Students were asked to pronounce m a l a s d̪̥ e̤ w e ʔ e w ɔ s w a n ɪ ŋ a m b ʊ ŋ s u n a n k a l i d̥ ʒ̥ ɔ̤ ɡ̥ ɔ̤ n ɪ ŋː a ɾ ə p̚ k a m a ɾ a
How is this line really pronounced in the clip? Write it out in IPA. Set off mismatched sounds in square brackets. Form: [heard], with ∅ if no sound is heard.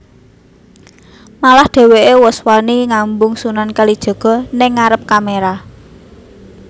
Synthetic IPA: m a l a [h] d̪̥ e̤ w e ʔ e w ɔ s w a n [i] ŋ a m b ʊ ŋ s u n a n k a l i d̥ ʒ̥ ɔ̤ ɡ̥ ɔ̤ n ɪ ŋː a ɾ ə p̚ k a m [e] ɾ a